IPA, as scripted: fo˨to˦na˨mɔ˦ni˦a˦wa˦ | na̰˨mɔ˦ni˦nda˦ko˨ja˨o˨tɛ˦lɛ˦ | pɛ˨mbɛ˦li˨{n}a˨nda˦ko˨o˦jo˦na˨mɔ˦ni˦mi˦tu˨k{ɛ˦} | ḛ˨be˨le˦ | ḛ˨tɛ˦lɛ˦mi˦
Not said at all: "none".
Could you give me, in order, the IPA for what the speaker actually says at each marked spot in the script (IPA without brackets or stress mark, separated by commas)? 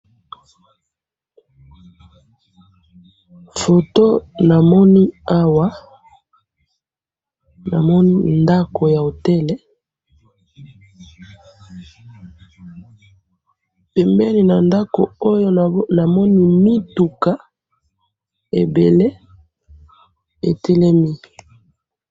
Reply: n, a˦